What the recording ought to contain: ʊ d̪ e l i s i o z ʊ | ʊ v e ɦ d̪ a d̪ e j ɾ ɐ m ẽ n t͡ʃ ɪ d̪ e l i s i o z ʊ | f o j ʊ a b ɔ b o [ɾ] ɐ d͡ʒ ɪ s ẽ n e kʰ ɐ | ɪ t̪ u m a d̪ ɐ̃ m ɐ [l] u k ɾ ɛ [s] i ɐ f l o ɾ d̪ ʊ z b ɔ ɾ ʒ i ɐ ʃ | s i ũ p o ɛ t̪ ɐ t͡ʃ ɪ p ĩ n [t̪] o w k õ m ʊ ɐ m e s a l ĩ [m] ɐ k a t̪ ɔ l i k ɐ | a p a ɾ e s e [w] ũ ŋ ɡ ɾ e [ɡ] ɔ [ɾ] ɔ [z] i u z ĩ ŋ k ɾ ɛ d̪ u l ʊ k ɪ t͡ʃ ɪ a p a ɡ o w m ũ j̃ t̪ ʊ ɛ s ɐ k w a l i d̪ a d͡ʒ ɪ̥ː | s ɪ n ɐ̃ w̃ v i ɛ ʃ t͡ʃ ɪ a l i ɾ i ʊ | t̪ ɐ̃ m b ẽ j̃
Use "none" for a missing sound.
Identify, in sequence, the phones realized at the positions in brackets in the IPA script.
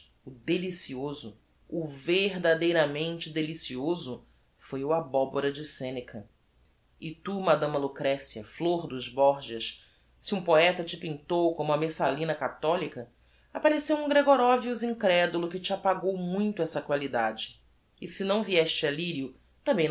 ɾ, l, s, t̪, n, w, ɡ, ɾ, v

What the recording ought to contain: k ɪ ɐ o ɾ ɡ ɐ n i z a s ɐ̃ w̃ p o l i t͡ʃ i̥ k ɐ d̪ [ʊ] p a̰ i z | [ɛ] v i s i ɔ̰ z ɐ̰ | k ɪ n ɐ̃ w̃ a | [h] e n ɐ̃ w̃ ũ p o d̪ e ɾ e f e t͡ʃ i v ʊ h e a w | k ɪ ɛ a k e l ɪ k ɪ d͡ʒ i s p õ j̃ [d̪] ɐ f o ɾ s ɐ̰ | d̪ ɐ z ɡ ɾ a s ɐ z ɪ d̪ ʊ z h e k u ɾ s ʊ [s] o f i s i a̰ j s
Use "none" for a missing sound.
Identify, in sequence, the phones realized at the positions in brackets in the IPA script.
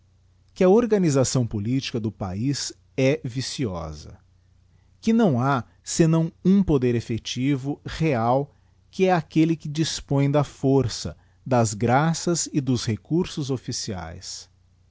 ʊ, ɛ, s, d̪, z

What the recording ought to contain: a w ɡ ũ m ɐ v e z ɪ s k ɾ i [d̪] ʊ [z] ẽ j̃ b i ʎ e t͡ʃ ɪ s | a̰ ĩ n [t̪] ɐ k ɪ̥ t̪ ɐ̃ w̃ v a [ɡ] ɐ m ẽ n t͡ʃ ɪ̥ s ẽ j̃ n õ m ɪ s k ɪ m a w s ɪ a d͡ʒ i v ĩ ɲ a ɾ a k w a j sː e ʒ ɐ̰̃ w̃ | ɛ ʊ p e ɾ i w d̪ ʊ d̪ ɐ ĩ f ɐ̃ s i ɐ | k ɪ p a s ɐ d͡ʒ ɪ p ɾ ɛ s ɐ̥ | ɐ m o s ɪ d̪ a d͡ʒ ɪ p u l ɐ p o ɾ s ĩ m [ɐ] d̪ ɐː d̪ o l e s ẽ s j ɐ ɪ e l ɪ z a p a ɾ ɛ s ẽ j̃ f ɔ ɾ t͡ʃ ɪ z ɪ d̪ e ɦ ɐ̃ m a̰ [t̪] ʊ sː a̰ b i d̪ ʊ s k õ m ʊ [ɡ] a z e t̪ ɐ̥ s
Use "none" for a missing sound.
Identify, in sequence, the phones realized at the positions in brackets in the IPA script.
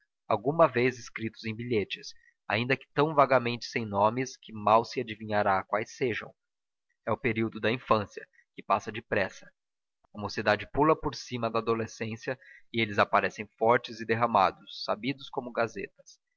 t̪, z, d̪, ɡ, ɐ, d̪, ɡ

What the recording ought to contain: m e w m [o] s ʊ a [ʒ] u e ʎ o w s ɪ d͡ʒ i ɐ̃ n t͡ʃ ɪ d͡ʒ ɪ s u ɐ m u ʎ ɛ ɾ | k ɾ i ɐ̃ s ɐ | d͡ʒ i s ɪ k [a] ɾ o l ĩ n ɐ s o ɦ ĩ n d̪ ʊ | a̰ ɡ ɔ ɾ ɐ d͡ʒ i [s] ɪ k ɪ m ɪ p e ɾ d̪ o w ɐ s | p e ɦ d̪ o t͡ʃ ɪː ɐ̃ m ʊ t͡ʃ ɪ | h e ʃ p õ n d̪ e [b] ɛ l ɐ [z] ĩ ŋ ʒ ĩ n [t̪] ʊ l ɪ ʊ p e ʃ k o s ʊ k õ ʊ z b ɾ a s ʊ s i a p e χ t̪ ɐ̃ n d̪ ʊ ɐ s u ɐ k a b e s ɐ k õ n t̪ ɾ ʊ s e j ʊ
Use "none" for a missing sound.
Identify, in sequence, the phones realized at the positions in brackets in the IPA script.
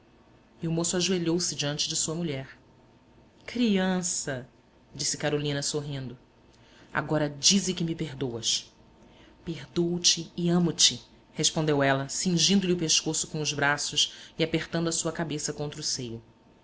o, ʒ, a, z, w, s, d̪

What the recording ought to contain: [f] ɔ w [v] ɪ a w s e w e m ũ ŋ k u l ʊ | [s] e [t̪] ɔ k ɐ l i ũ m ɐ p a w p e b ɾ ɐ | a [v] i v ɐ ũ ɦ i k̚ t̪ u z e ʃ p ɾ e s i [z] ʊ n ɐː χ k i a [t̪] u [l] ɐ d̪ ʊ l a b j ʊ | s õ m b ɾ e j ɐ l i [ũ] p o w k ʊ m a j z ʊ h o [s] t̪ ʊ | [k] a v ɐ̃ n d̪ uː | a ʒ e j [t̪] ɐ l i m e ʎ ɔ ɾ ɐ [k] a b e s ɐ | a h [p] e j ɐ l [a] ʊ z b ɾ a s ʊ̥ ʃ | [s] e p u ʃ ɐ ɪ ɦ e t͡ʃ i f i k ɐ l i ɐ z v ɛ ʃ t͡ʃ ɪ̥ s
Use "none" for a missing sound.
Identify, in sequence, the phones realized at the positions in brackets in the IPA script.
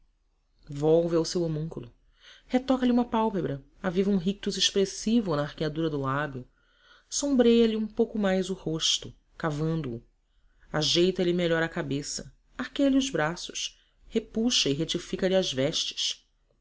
v, v, h, t̪, v, v, d̪, ɾ, ũ, ʃ, k, t̪, k, k, i, h

